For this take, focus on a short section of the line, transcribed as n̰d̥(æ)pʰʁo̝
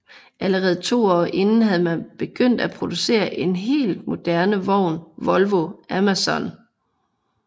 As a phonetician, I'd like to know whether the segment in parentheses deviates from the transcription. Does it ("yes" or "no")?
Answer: no